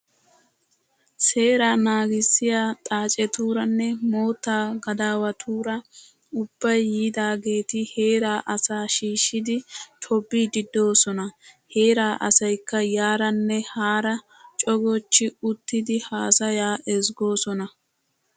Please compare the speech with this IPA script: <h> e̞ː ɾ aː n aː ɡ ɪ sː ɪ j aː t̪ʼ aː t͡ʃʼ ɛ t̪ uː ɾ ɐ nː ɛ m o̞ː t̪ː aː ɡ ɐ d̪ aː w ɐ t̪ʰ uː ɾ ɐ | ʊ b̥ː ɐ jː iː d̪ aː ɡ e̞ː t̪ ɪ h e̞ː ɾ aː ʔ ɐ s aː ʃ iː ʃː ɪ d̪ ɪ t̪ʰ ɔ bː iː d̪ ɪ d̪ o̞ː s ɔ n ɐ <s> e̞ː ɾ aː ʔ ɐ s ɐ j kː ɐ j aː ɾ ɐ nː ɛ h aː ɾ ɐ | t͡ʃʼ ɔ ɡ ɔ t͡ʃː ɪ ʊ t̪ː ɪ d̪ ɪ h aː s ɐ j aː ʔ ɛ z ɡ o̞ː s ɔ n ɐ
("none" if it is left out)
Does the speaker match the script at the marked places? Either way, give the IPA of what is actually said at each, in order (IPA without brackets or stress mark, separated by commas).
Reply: s, h